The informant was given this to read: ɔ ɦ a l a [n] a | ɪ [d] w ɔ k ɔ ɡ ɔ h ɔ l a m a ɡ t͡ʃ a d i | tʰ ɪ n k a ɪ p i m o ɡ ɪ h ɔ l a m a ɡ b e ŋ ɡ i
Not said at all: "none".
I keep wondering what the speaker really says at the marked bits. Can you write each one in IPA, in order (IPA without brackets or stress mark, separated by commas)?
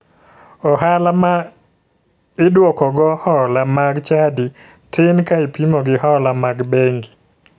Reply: m, d